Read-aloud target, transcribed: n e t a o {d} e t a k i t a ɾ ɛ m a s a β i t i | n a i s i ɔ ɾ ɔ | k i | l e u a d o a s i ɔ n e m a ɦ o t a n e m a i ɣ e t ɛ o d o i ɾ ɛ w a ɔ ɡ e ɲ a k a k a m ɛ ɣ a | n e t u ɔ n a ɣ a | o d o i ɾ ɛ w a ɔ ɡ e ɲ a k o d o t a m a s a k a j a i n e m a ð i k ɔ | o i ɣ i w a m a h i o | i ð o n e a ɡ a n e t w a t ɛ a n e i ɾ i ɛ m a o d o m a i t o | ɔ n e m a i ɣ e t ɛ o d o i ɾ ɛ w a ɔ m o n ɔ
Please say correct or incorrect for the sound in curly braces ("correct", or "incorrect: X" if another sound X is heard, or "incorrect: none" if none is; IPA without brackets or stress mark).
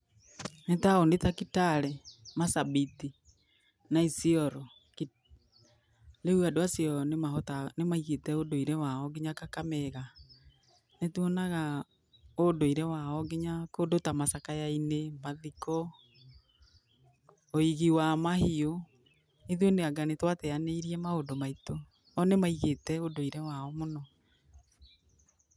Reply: incorrect: n